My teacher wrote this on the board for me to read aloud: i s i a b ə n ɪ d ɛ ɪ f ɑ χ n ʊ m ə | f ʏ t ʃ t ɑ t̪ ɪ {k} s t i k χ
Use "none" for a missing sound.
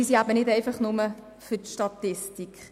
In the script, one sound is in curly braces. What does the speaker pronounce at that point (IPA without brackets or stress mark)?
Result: none